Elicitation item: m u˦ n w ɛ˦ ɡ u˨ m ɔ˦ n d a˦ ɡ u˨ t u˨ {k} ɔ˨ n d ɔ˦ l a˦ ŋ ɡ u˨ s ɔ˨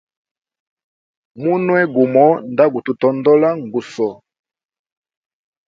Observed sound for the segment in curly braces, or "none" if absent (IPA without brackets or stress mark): t